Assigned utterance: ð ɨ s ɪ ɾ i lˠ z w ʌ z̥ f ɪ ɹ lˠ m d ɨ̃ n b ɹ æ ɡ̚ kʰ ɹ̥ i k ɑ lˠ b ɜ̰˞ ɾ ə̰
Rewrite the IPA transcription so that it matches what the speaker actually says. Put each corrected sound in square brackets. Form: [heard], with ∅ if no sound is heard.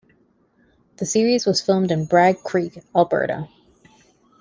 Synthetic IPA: ð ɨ s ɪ [ɹ] i [∅] z w ʌ z̥ f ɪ [∅] lˠ m d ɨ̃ n b ɹ æ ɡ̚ kʰ ɹ̥ i k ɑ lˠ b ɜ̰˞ ɾ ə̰